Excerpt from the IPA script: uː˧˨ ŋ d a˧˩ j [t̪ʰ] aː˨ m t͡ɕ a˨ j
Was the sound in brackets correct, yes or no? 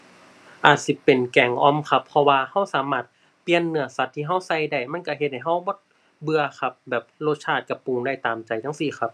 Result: no